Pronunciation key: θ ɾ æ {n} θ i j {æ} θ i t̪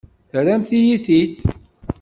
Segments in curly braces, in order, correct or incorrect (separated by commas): incorrect, incorrect